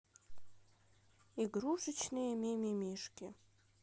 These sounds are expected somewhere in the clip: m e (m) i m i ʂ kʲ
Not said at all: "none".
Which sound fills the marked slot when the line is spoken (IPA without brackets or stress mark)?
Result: m